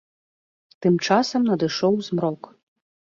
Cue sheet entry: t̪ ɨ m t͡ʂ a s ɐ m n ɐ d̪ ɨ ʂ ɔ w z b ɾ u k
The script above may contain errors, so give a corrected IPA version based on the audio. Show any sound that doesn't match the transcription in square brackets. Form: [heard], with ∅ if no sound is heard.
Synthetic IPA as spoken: t̪ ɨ m t͡ʂ a s ɐ m n ɐ d̪ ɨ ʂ ɔ w z [m] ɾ [ɔ] k